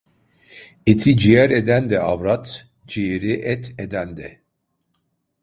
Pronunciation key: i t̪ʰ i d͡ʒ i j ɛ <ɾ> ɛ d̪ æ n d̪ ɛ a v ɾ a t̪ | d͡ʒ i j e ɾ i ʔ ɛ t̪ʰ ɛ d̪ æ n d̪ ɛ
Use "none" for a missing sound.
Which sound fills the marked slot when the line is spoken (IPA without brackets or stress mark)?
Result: ɾ